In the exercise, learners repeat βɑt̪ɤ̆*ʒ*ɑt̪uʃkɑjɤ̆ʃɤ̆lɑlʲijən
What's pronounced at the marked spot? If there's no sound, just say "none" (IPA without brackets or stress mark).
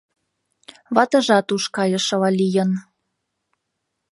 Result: ʒ